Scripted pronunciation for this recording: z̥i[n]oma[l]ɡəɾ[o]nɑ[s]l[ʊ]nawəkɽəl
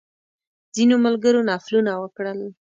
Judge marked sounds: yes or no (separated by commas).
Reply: yes, yes, yes, no, no